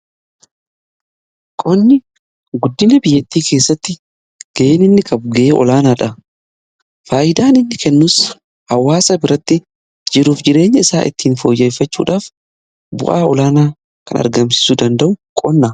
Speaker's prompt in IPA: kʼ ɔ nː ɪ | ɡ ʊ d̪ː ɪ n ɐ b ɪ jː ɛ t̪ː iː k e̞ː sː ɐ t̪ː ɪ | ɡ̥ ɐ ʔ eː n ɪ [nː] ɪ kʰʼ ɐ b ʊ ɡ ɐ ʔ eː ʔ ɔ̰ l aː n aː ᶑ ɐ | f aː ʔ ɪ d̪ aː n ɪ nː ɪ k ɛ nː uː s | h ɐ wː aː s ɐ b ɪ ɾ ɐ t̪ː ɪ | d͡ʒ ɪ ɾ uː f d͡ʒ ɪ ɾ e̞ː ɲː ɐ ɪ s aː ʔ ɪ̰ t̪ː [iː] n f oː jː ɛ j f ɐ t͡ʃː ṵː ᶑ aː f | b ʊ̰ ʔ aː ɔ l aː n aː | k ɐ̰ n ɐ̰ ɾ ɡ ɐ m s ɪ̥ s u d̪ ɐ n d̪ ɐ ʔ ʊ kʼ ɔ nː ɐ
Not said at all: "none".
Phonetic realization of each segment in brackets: nː, iː

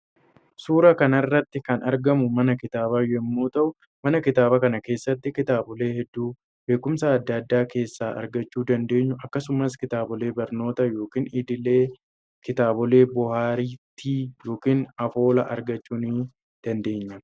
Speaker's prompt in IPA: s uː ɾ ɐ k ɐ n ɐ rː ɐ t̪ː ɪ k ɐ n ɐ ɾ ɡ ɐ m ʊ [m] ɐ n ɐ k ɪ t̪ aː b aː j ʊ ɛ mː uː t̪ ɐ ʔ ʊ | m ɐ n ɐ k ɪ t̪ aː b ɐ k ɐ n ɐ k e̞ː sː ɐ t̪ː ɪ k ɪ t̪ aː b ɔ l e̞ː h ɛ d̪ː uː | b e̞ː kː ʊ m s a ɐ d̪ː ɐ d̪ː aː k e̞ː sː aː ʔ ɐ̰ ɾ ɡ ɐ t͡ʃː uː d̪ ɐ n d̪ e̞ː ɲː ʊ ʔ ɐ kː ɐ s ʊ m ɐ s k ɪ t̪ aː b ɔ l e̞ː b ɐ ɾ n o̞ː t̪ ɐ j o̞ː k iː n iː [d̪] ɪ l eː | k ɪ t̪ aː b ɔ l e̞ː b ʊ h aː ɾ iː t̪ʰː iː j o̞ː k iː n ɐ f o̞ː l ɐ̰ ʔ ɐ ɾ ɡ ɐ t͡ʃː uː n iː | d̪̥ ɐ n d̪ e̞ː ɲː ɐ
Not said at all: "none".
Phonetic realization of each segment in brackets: m, d̪

